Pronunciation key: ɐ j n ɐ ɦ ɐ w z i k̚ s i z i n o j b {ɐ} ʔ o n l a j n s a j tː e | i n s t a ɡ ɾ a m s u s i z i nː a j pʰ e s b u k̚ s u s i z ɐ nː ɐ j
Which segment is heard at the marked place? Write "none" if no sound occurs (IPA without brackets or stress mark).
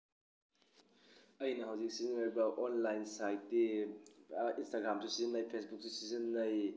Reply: ɐ